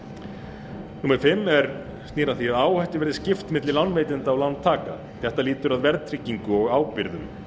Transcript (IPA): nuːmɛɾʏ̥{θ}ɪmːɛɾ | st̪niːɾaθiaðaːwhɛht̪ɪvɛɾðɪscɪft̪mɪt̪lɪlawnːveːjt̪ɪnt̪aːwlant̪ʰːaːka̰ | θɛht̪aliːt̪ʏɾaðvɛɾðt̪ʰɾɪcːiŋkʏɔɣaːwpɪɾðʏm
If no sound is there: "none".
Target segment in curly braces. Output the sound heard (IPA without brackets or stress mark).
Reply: f